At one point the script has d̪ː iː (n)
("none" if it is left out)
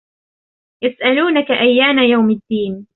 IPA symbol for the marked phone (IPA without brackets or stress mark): n